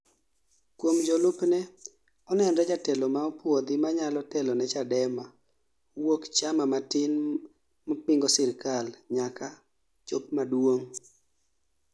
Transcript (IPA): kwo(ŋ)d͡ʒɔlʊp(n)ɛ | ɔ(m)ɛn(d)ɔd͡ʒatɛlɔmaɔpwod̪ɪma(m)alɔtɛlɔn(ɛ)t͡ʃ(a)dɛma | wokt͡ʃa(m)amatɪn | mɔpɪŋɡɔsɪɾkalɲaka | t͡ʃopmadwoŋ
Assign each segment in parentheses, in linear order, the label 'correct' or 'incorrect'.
incorrect: m, correct, incorrect: n, correct, incorrect: ɲ, correct, correct, correct

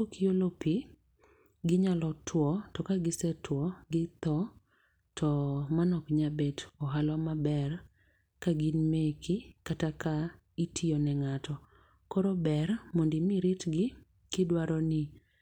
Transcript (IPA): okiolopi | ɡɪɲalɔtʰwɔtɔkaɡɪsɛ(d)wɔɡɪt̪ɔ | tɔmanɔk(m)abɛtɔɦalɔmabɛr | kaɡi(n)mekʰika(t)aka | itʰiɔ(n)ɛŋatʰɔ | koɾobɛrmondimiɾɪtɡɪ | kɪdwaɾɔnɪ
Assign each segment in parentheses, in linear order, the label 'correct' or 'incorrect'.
incorrect: t, incorrect: ɲ, correct, correct, correct

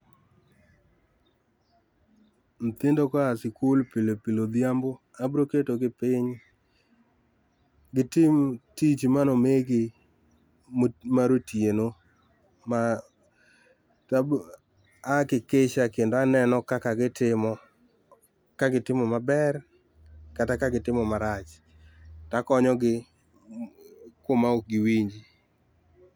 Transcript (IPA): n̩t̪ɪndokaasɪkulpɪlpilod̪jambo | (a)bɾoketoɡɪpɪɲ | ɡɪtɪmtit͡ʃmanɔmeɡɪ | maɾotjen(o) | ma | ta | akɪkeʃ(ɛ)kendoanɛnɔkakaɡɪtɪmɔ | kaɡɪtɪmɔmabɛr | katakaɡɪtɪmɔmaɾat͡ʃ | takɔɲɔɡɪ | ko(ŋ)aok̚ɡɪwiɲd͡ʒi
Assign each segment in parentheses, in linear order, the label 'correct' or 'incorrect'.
correct, correct, incorrect: a, incorrect: m

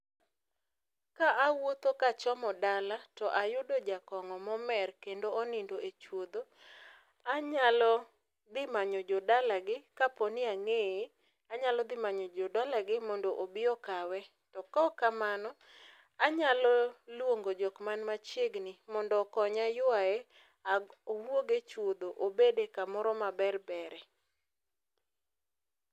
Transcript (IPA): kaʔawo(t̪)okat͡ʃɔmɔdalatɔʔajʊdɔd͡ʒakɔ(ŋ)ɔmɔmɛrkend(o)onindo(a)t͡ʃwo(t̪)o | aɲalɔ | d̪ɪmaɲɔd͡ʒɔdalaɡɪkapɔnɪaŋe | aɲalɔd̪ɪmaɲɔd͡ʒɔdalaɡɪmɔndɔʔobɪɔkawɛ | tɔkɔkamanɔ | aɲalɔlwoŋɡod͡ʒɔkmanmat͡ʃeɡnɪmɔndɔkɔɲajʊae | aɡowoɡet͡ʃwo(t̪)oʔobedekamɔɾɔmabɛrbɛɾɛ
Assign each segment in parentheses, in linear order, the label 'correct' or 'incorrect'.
correct, correct, correct, incorrect: e, incorrect: d̪, incorrect: d̪

